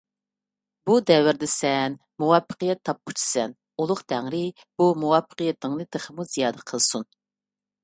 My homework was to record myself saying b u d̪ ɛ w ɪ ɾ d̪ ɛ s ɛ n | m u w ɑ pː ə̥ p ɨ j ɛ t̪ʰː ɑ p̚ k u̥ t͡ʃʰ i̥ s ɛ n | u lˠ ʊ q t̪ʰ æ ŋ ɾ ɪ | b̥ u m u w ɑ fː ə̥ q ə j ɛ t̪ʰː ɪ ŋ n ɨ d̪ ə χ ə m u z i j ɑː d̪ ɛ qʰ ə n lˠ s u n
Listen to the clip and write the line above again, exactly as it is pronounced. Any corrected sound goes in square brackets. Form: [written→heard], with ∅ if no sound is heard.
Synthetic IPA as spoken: b u d̪ ɛ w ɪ ɾ d̪ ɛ s ɛ n | m u w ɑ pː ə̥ [p→q] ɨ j ɛ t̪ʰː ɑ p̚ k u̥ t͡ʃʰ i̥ s ɛ n | u lˠ ʊ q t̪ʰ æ ŋ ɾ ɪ | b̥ u m u w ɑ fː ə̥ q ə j ɛ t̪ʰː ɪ ŋ n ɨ d̪ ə χ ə m u z i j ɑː d̪ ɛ qʰ ə [n→∅] lˠ s u n